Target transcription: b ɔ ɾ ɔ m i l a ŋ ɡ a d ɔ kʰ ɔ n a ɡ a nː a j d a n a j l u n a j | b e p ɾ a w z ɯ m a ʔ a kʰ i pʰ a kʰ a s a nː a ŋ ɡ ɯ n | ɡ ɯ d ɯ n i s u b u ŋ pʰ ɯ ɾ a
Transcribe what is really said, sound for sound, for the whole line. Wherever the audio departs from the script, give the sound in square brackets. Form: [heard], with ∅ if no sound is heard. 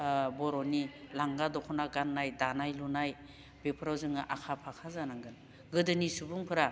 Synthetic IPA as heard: b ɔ ɾ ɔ [n] i l a ŋ ɡ a d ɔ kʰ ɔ n a ɡ a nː a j d a n a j l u n a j | b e [pʰ] ɾ a w z ɯ [ŋ] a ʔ a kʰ [a] pʰ a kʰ a [z] a [n] a ŋ ɡ ɯ n | ɡ ɯ d ɯ n i s u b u ŋ pʰ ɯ ɾ a